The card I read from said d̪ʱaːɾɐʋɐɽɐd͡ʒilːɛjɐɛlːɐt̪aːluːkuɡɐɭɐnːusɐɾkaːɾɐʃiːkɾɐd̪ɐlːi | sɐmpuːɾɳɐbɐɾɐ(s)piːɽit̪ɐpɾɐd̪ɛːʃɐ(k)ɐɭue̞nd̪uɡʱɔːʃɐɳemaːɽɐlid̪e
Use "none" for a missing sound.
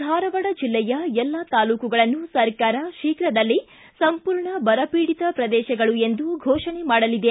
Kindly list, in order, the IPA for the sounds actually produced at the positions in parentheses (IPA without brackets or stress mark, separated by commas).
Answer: none, ɡ